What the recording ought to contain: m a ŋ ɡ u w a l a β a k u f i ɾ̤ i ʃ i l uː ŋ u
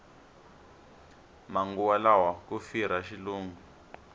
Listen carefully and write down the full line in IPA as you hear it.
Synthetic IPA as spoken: m a ŋ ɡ u w a l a w a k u f i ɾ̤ a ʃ i l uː ŋ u